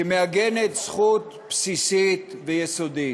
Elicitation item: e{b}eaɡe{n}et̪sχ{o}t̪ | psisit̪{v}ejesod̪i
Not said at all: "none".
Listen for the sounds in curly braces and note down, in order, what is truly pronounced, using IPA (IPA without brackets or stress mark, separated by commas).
m, n, u, v